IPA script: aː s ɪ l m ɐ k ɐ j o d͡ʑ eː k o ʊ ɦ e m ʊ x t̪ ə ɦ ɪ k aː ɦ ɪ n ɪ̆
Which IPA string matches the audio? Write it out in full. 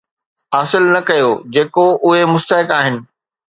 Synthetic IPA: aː s ɪ l n ɐ k ɐ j o d͡ʑ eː k o ʊ ɦ e m ʊ s t̪ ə ɦ ɪ k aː ɦ ɪ n ɪ̆